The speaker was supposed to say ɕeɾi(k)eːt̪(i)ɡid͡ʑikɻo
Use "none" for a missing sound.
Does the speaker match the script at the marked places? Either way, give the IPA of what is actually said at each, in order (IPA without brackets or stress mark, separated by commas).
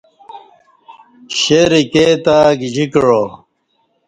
k, a